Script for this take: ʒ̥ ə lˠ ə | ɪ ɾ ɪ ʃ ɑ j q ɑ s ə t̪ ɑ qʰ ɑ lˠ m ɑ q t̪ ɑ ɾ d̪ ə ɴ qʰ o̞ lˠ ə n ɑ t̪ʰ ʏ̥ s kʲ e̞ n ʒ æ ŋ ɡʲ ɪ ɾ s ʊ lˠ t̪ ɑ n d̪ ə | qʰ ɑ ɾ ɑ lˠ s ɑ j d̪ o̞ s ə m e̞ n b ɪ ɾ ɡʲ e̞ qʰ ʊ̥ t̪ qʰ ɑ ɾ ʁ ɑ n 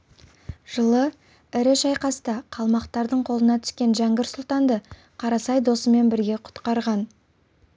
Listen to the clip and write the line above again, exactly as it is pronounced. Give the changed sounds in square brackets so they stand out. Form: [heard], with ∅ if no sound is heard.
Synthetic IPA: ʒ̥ ə lˠ ə | ɪ ɾ ɪ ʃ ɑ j q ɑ s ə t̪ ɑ qʰ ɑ lˠ m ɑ q t̪ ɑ ɾ d̪ ə ɴ qʰ o̞ lˠ ə n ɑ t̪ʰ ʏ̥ s kʲ e̞ n ʒ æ ŋ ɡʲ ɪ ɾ s ʊ lˠ t̪ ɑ n d̪ ə | qʰ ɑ ɾ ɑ [∅] s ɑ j d̪ o̞ s ə m e̞ n b ɪ ɾ ɡʲ e̞ qʰ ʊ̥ t̪ [q] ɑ ɾ ʁ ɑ n